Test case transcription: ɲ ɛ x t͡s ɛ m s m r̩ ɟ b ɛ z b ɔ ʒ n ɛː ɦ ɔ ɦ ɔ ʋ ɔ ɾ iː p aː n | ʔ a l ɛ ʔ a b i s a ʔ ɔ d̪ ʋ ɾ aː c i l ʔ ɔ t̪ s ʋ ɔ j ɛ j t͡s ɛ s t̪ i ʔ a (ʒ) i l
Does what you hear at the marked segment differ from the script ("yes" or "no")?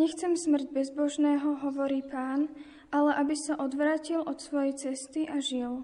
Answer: no